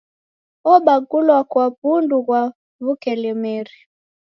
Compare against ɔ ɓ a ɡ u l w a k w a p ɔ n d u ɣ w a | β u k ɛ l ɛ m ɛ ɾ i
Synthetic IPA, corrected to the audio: ɔ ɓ a ɡ u l w a k w a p u n d u ɣ w a | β u k ɛ l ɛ m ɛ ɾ i